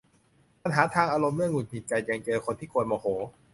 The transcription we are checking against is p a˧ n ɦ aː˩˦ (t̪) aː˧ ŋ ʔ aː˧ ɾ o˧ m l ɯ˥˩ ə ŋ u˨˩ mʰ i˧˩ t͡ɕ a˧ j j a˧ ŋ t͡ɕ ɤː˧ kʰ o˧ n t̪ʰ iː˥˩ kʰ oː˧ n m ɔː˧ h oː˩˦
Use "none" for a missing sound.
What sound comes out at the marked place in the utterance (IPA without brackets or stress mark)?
t̪ʰ